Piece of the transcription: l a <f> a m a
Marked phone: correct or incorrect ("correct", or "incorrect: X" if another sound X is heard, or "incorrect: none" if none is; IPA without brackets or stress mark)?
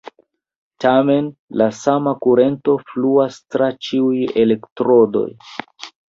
incorrect: s